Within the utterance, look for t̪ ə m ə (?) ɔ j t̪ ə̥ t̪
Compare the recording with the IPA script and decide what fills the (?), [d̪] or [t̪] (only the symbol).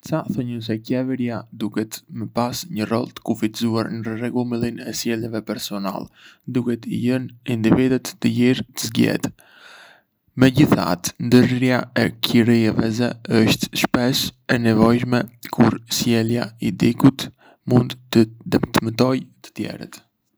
t̪